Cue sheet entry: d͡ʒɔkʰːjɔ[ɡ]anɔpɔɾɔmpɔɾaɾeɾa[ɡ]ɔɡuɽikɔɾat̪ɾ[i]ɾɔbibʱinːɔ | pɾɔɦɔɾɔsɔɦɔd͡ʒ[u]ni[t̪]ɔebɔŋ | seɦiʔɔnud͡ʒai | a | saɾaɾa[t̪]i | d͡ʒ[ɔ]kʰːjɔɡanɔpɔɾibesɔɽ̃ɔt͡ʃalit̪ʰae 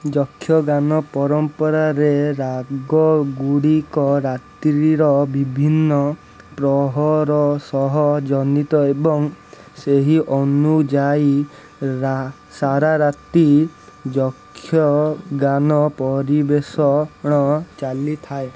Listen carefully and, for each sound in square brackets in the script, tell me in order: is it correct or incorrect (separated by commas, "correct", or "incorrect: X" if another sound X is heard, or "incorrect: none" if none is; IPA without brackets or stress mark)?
correct, correct, correct, incorrect: ɔ, correct, correct, correct